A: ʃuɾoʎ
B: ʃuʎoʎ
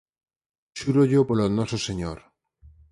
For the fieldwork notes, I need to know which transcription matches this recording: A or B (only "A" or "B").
A